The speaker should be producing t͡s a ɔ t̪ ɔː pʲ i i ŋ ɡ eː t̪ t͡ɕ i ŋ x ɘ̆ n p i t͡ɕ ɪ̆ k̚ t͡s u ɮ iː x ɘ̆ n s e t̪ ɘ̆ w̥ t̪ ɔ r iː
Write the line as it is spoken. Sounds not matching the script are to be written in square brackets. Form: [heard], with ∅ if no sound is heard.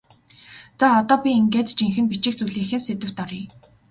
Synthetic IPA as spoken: t͡s a ɔ t̪ ɔː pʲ i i ŋ ɡ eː t̪ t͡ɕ i ŋ x ɘ̆ n p i t͡ɕ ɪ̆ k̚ t͡s u ɮ iː x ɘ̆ n s e t̪ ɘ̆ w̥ t̪ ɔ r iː